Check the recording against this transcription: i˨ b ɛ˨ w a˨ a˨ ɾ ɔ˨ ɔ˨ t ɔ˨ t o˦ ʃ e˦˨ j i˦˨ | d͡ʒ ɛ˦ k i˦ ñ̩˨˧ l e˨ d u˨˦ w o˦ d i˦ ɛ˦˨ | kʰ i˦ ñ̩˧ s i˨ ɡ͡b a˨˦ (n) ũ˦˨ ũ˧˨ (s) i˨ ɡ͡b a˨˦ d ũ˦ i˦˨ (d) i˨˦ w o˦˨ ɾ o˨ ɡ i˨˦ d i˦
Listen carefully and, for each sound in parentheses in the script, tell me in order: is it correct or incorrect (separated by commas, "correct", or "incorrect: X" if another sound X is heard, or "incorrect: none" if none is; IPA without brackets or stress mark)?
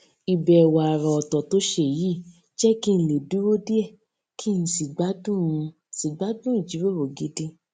incorrect: d, correct, incorrect: d͡ʒ